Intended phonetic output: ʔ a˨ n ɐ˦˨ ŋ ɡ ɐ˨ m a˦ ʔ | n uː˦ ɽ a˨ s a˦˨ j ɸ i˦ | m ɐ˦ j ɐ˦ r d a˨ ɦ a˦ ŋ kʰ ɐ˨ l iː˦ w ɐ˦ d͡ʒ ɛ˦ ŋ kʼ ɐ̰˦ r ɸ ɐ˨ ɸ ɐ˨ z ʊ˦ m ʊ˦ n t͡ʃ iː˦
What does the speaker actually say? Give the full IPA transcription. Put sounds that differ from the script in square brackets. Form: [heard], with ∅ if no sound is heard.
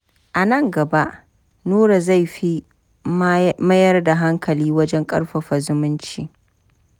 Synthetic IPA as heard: ʔ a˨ n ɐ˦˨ ŋ ɡ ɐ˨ [b] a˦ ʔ | n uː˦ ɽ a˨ [z] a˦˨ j ɸ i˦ | m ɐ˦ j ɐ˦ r d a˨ ɦ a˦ ŋ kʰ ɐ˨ l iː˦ w ɐ˦ d͡ʒ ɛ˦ ŋ kʼ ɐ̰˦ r ɸ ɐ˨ ɸ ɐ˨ z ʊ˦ m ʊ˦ n t͡ʃ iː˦